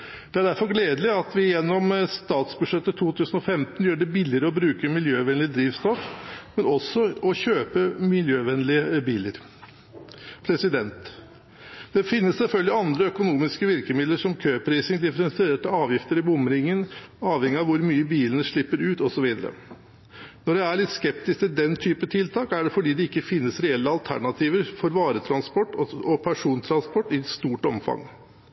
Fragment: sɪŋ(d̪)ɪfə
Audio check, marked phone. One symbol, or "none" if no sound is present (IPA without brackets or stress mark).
d̪